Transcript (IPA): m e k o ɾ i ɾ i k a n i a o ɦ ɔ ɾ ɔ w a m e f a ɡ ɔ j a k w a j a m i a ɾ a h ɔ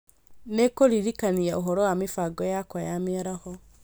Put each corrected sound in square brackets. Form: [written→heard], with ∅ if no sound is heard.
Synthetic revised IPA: [m→n] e k o ɾ i ɾ i k a n i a o ɦ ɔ ɾ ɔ w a m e f a ɡ ɔ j a k w a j a m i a ɾ a h ɔ